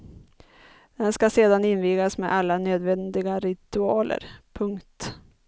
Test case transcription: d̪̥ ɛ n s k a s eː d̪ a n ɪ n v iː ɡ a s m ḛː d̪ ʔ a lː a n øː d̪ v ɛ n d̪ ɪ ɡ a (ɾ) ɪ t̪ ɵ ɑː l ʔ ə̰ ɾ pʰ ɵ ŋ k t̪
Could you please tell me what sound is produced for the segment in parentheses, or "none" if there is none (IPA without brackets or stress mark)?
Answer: ɾ